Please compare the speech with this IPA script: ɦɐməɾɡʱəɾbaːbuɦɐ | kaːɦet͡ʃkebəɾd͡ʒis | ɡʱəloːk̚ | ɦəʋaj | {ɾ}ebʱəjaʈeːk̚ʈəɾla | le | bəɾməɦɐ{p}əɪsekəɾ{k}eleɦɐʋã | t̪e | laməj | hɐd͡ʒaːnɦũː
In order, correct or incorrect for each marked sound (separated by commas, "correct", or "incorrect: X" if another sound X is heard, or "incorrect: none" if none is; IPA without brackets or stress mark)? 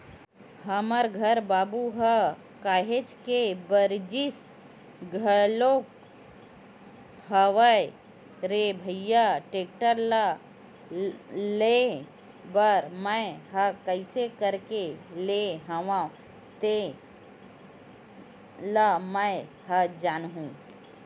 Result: correct, incorrect: k, correct